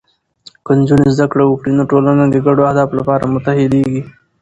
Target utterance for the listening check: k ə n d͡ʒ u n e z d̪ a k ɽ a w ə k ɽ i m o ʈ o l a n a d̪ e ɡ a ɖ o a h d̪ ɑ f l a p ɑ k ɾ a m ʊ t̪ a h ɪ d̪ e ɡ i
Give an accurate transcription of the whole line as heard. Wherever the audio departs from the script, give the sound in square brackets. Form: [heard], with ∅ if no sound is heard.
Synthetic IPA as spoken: k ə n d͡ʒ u n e z d̪ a k ɽ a w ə k ɽ i [n] o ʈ o l a n a d̪ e ɡ a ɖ o a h d̪ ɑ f l a p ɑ [∅] ɾ a m ʊ t̪ a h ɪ d̪ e ɡ i